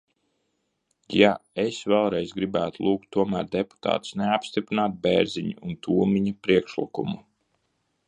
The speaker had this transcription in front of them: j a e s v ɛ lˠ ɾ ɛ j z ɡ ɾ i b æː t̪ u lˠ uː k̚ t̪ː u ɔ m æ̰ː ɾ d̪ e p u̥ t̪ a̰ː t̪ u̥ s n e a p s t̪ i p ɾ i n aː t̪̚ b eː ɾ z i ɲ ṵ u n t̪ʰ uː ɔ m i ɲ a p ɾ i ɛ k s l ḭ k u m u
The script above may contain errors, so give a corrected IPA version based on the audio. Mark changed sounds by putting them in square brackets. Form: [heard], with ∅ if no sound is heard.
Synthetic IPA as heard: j a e s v ɛ lˠ ɾ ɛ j z ɡ ɾ i b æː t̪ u lˠ uː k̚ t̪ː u ɔ m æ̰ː ɾ d̪ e p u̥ t̪ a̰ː t̪ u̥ s n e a p s t̪ i p ɾ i n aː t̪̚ b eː ɾ z i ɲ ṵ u n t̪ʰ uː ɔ m i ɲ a p ɾ i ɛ k [ʃ] l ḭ k u m u